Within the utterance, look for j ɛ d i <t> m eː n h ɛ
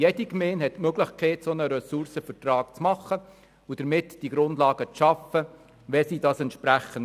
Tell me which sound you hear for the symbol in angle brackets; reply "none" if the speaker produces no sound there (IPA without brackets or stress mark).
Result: k